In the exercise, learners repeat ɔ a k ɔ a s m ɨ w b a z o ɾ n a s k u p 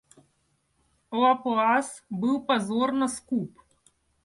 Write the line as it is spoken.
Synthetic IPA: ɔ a p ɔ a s b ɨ w p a z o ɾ n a s k u p